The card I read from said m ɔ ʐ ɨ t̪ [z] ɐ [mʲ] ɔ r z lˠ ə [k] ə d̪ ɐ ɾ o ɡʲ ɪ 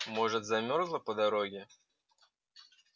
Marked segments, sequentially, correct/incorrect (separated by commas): correct, correct, incorrect